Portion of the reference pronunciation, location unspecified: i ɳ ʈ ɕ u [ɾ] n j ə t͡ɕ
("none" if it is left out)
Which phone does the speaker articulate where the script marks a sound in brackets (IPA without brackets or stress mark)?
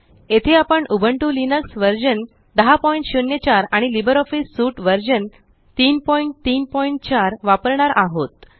none